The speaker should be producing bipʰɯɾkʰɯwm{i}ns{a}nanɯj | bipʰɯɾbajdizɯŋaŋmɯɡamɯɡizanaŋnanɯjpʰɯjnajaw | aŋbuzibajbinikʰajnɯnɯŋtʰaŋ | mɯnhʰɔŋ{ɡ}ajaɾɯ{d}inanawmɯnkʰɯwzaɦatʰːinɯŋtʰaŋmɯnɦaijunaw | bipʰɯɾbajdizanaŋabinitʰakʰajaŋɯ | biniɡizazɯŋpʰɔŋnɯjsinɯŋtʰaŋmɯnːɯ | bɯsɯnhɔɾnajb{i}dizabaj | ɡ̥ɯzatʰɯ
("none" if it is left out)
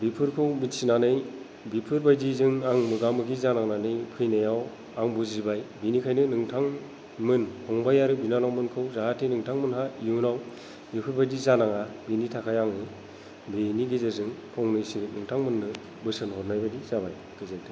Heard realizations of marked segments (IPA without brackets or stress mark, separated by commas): i, i, b, b, a